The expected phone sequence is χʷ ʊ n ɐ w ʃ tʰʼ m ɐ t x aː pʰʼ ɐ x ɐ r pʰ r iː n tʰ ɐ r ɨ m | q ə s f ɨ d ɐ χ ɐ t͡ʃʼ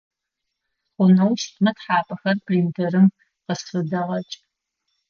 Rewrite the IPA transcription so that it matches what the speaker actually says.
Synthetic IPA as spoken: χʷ ʊ n ɐ w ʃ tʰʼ m ɐ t ħ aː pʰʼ ɐ x ɐ r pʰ r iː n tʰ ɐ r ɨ m | q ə s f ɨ d ɐ ʁ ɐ t͡ʃʼ